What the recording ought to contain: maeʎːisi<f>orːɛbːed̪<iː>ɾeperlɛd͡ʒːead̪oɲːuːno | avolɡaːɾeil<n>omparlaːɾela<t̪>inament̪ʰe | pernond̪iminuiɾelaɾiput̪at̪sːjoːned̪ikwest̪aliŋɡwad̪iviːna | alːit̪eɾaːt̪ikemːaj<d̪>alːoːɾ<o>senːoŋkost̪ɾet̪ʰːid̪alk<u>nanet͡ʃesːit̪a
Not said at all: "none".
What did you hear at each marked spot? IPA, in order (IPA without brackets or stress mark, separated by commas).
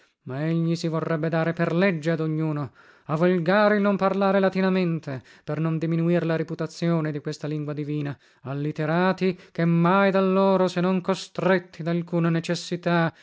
v, aː, n, t̪, d̪, o, uː